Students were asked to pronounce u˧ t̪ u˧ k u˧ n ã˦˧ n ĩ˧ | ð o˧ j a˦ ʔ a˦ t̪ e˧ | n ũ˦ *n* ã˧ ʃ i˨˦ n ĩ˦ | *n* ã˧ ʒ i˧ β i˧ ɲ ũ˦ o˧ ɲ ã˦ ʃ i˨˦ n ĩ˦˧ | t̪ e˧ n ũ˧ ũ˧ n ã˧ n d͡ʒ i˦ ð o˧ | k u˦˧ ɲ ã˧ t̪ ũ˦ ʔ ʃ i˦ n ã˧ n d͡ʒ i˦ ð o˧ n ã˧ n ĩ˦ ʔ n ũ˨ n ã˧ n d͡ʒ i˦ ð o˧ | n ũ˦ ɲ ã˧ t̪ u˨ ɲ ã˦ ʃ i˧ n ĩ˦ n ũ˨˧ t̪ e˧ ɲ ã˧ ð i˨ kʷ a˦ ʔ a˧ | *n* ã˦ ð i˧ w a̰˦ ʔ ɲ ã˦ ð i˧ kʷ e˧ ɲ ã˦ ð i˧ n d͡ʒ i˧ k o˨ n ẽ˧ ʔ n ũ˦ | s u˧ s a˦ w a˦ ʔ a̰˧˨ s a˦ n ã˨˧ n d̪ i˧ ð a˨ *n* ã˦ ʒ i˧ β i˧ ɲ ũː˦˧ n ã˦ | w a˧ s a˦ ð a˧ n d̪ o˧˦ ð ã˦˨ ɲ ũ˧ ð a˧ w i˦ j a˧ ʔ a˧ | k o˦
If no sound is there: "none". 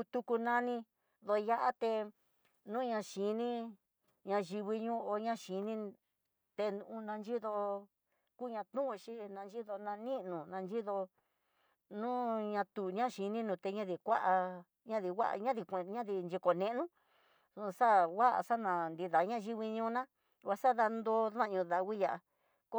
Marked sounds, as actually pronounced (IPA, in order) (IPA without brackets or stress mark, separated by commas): ɲ, ɲ, ɲ, ɲ